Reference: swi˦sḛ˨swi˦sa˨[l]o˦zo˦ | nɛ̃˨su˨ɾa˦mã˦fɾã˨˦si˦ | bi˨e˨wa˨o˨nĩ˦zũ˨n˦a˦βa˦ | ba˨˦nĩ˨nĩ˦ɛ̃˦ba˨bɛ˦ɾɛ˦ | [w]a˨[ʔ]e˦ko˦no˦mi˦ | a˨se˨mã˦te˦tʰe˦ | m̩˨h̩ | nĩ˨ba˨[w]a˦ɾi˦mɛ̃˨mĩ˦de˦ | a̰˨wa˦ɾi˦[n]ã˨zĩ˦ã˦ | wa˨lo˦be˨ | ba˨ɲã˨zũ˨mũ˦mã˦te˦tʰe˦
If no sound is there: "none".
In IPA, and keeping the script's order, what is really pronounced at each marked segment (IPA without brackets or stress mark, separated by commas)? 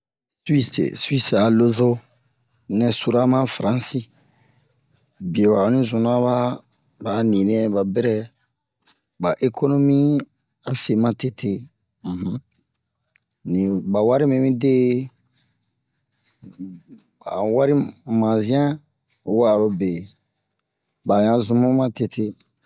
l, b, ʔ, w, m